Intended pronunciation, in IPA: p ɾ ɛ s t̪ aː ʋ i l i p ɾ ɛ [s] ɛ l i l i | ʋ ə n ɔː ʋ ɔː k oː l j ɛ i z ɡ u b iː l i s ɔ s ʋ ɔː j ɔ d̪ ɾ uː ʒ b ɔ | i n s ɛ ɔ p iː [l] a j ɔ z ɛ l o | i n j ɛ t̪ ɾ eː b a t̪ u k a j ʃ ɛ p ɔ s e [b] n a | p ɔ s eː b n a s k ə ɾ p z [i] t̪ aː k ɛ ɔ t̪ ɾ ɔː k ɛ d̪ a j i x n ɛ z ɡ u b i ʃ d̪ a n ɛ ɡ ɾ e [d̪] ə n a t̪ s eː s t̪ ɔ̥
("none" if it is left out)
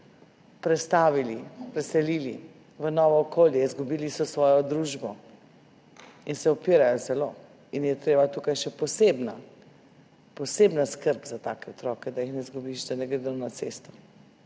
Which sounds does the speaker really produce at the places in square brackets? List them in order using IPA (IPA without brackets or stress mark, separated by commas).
s, ɾ, b, a, d̪